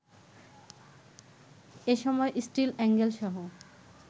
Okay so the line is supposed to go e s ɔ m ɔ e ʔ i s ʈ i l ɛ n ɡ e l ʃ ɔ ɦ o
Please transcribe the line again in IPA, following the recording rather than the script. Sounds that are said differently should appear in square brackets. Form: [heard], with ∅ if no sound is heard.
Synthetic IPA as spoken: e [ʃ] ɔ m ɔ e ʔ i s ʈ i l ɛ [ŋ] ɡ e l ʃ ɔ ɦ o